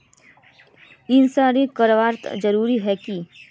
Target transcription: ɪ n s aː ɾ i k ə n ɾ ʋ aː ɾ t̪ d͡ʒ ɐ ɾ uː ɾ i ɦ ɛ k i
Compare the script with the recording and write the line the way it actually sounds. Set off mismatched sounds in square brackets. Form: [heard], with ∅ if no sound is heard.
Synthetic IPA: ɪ n s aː ɾ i k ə [∅] ɾ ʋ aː ɾ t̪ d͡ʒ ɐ ɾ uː ɾ i ɦ ɛ k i